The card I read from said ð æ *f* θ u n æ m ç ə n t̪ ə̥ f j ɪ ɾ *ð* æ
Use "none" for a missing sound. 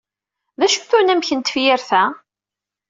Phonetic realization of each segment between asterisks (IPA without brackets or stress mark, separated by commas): ʃ, θ